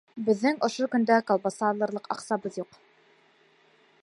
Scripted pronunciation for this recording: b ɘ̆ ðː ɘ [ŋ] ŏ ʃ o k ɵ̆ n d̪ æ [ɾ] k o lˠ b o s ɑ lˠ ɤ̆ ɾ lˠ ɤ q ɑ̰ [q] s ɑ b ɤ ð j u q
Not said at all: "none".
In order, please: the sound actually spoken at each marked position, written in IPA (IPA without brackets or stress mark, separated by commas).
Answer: ŋ, none, q